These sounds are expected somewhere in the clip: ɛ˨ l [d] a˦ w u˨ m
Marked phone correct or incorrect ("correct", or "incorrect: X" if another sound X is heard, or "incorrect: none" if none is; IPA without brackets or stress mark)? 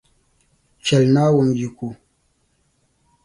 incorrect: n